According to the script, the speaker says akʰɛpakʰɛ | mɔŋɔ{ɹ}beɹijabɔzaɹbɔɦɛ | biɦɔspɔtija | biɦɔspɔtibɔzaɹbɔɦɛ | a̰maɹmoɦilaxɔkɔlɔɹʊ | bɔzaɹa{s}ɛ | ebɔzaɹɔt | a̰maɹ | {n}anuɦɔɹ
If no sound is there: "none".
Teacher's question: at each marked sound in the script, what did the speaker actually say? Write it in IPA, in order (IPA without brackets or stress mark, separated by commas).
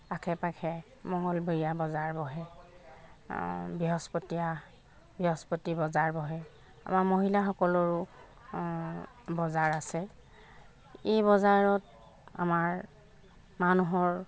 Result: l, s, m